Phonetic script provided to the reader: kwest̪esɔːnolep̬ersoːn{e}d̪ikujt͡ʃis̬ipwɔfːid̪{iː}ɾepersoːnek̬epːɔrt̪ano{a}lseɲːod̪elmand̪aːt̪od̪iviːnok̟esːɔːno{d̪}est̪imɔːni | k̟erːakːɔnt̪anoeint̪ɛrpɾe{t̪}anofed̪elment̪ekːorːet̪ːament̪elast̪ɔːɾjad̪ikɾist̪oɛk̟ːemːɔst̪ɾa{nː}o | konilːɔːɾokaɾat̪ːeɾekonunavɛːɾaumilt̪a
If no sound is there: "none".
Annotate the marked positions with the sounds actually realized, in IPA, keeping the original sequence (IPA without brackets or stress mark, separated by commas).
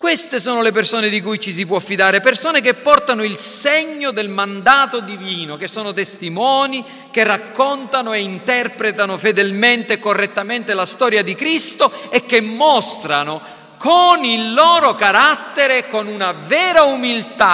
e, aː, i, t̪, t̪, n